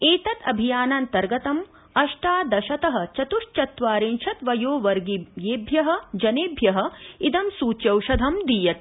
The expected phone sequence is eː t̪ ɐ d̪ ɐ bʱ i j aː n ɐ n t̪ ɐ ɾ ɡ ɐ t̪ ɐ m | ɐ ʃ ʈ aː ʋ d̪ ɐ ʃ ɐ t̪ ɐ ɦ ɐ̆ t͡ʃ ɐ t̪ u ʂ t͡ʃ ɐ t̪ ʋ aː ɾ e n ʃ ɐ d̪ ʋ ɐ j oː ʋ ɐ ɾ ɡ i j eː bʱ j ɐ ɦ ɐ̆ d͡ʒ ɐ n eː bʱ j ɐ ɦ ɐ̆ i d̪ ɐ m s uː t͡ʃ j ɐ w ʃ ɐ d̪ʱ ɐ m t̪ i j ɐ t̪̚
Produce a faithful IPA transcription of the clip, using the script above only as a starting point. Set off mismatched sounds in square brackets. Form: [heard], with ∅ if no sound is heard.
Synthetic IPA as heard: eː t̪ ɐ [t̪] ɐ bʱ i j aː n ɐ n t̪ ɐ ɾ ɡ ɐ t̪ ɐ m | ɐ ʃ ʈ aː [∅] d̪ ɐ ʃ ɐ t̪ ɐ ɦ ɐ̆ t͡ʃ ɐ t̪ u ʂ t͡ʃ ɐ t̪ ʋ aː ɾ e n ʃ ɐ [t̪] ʋ ɐ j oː ʋ ɐ ɾ ɡ i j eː bʱ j ɐ ɦ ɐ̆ d͡ʒ ɐ n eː bʱ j ɐ ɦ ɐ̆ i d̪ ɐ m s uː t͡ʃ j ɐ w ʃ ɐ d̪ʱ ɐ m [d̪] i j ɐ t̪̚